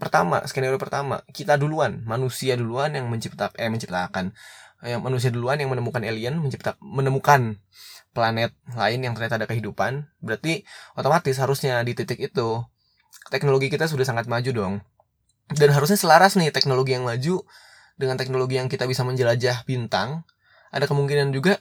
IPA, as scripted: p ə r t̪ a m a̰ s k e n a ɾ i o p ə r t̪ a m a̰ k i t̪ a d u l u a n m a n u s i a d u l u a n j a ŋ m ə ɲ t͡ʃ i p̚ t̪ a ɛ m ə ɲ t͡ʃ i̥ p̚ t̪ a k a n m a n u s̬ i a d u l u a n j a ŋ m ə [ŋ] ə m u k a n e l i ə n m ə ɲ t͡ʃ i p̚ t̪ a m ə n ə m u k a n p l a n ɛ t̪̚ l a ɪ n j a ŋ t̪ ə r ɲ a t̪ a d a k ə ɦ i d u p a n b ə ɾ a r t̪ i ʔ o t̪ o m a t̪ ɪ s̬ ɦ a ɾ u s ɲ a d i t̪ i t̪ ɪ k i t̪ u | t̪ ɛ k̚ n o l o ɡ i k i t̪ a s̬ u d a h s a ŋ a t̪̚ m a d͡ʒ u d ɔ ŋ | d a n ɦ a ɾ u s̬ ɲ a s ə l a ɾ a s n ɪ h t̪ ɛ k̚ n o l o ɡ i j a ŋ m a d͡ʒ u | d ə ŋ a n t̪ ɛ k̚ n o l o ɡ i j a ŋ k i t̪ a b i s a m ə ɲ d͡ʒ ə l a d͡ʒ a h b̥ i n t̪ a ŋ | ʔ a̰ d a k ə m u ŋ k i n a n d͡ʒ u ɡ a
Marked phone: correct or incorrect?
incorrect